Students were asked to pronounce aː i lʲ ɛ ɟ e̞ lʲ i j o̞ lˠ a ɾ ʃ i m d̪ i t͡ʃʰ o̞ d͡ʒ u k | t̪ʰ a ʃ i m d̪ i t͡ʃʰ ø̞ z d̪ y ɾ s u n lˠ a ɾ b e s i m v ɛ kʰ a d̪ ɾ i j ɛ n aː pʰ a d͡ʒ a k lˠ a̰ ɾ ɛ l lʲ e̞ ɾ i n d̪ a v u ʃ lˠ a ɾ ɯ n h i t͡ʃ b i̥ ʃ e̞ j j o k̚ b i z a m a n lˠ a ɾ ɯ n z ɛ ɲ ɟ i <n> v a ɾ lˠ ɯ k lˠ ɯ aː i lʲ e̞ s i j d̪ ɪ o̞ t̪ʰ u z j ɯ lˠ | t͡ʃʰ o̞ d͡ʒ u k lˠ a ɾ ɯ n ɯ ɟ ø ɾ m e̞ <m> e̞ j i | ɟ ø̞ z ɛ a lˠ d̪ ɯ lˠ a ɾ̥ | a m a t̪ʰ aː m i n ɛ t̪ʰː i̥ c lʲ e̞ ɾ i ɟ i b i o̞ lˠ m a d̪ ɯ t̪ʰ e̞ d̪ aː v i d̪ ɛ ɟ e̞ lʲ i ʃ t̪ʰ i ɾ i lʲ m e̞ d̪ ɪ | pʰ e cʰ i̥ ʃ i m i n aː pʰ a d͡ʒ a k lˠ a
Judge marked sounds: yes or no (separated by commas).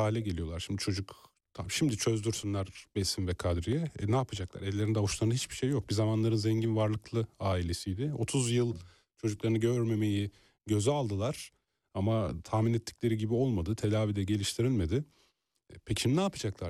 yes, yes